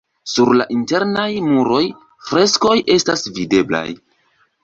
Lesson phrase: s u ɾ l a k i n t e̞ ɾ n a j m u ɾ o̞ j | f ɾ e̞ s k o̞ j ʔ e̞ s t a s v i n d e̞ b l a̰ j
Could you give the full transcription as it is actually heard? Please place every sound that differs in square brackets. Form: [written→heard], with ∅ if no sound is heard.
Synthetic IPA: s u ɾ l a [k→ʔ] i n t e̞ ɾ n a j m u ɾ o̞ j | f ɾ e̞ s k o̞ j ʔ e̞ s t a s v i [n→∅] d e̞ b l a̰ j